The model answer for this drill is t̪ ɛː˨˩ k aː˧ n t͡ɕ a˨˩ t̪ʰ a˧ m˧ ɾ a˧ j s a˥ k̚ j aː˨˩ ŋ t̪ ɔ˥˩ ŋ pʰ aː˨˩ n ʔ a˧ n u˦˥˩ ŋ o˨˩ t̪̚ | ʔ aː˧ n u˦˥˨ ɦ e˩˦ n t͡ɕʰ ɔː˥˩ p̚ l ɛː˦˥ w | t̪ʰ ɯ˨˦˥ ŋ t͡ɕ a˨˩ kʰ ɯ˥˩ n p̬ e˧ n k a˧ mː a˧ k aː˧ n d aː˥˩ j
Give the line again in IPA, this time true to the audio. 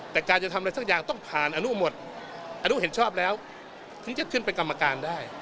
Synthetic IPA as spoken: t̪ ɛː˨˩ k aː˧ n t͡ɕ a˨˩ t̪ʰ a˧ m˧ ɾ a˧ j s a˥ k̚ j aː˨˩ ŋ t̪ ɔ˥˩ ŋ pʰ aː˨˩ n ʔ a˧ n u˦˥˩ m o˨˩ t̪̚ | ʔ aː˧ n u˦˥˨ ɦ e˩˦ n t͡ɕʰ ɔː˥˩ p̚ l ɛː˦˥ w | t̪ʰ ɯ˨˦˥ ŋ t͡ɕ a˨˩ kʰ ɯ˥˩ n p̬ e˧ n k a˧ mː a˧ k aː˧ n d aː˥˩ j